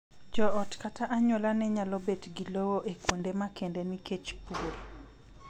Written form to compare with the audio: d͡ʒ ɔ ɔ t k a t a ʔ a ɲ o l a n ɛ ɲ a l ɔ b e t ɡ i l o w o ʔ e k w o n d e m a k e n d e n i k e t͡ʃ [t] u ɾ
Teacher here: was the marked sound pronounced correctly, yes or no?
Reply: no